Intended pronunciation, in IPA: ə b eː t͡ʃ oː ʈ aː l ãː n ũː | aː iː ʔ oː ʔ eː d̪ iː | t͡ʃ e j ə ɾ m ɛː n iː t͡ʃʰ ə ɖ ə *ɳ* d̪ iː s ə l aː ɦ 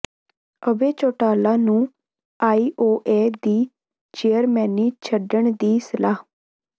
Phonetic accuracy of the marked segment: correct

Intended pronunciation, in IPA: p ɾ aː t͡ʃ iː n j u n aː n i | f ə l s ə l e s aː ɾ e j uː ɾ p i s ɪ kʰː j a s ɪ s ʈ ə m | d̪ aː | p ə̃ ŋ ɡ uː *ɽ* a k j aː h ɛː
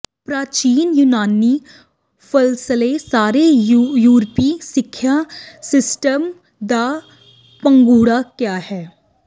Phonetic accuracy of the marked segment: correct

